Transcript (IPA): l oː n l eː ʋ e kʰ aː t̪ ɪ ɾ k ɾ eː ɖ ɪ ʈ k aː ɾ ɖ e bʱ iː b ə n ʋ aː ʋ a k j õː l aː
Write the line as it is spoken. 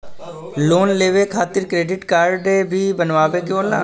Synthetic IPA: l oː n l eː ʋ e kʰ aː t̪ ɪ ɾ k ɾ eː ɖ ɪ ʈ k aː ɾ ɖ e bʱ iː b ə n ʋ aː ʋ e k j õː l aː

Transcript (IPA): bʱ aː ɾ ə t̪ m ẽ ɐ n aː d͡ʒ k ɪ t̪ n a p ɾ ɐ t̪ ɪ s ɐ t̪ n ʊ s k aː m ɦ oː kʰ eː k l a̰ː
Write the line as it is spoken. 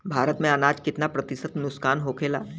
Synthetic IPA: bʱ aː ɾ ə t̪ m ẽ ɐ n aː d͡ʒ k ɪ t̪ n a p ɾ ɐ t̪ ɪ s ə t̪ n ʊ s k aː n ɦ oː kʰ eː l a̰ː

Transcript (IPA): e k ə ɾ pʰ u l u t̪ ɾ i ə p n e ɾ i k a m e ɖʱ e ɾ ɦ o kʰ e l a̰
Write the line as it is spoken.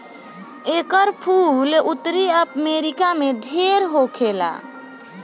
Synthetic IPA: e k ə ɾ pʰ u l u t̪ ɾ i ə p m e ɾ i k a m e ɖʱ e ɾ ɦ o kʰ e l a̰

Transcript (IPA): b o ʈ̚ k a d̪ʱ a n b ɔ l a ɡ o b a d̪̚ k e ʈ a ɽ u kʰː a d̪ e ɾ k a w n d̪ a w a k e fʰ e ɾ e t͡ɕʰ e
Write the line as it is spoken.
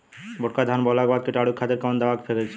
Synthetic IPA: b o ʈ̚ k a d̪ʱ a n b ɔ l a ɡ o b a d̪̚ k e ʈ a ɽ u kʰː a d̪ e ɾ k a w n d̪ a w a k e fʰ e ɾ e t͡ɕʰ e

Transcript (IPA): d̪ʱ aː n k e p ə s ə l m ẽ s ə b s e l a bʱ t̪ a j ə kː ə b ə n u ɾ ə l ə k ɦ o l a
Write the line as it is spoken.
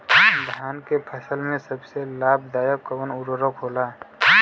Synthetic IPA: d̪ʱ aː n k e pʰ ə s ə l m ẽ s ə b s e l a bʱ d̪ a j ə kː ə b ə n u ɾ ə ɾ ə k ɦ o l a

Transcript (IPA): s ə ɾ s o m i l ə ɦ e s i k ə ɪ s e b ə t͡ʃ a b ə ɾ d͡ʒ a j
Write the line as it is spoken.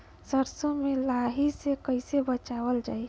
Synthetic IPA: s ə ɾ s o m e l a ɦ i s e k ə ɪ s e b ə t͡ʃ a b ə l d͡ʒ a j

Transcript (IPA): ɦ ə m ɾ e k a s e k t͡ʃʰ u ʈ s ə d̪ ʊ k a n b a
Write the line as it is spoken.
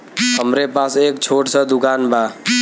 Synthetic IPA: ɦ ə m ɾ e p a s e k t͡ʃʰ o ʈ s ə d̪ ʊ k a n b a

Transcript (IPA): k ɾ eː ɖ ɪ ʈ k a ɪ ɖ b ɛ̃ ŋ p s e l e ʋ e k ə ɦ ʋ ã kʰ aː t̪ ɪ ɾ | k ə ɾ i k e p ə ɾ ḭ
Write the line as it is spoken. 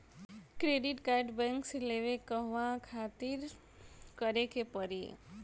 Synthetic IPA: k ɾ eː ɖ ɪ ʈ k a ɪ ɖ b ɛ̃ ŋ k s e l e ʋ e k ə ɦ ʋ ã kʰ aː t̪ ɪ ɾ | k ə ɾ e k e p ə ɾ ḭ

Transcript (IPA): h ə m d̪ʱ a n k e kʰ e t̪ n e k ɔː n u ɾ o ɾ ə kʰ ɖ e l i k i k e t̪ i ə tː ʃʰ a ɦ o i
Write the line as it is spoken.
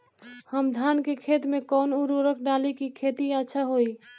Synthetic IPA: h ə m d̪ʱ a n k e kʰ e t̪ m e k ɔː n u ɾ o ɾ ə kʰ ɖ a l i k i kʰ e t̪ i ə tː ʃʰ a ɦ o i

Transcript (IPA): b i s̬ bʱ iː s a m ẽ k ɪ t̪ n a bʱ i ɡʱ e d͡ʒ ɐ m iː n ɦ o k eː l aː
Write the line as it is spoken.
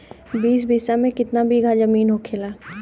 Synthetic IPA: b iː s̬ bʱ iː s a m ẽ k ɪ t̪ n a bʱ i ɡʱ a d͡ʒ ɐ m iː n ɦ o kʰ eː l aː

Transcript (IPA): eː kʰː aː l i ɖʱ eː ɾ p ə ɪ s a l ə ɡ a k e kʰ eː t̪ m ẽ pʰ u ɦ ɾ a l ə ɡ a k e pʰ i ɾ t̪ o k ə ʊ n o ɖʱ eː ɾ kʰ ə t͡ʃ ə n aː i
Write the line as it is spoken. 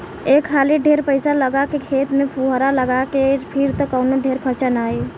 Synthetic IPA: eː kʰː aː l i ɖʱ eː ɾ p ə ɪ s a l ə ɡ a k e kʰ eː t̪ m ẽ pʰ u ɦ ɾ a l ə ɡ a k e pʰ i ɾ t̪ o k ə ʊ n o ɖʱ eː ɾ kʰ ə t͡ʃ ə n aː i

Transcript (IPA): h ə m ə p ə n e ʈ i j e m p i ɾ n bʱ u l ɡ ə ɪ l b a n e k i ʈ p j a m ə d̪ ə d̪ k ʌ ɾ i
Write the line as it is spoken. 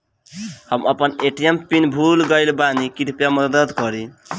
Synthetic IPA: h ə m ə p ə n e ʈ i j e m p i n bʱ u l ɡ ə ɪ l b a n i k i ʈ p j a m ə d̪ ə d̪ k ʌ ɾ i

